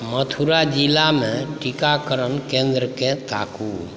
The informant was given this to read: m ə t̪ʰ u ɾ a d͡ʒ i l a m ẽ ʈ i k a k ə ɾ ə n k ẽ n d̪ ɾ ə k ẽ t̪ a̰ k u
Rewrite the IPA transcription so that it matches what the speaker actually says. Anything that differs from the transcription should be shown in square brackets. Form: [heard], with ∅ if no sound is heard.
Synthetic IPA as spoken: m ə t̪ʰ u ɾ a d͡ʒ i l a m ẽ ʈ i k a k ə ɾ ə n k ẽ n d̪ ɾ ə k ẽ t̪ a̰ k u